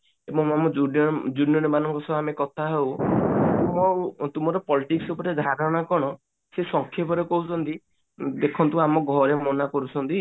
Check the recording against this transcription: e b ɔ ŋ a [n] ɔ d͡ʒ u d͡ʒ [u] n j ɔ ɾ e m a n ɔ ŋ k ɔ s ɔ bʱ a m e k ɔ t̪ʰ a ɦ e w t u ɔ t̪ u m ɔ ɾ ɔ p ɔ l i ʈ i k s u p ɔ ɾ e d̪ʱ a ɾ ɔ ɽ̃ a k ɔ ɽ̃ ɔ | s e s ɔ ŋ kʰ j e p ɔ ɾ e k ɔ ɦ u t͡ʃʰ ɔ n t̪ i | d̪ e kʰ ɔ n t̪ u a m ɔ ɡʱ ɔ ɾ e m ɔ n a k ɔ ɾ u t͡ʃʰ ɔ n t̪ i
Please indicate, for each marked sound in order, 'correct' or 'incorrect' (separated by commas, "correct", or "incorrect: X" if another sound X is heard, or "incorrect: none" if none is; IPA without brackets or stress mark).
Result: incorrect: m, correct